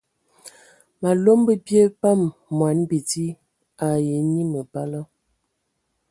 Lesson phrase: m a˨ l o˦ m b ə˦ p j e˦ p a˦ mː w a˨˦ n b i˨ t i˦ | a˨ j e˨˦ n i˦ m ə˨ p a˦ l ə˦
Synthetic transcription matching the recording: m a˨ l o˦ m b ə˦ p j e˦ p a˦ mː w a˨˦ n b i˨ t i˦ | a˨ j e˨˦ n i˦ m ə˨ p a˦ l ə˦